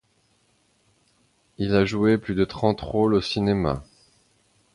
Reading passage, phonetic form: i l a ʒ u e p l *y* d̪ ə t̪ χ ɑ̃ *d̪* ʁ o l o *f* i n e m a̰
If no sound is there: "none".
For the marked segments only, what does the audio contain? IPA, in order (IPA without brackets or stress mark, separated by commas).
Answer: y, t̪, s